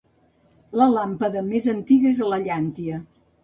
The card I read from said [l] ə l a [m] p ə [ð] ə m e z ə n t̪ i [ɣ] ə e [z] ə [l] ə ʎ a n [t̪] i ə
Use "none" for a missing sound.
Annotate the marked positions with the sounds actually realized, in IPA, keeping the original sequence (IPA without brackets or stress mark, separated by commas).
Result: l, m, ð, ɣ, z, l, t̪